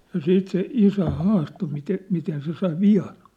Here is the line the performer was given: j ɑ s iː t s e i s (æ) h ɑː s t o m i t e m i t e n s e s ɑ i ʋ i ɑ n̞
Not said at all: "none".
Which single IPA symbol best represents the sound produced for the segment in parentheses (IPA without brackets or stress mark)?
æ